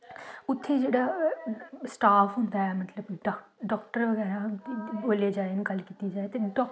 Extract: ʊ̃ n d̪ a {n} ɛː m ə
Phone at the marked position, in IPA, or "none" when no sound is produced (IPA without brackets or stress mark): none